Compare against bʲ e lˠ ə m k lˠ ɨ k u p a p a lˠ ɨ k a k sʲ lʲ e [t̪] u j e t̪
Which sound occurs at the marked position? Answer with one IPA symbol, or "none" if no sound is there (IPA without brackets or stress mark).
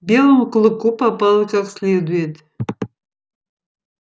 d̪